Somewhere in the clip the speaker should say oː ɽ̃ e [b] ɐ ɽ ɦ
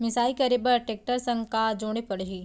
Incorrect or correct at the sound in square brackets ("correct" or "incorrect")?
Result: incorrect